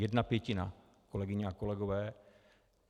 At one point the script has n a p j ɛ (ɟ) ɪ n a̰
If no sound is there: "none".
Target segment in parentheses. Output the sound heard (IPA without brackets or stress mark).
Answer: c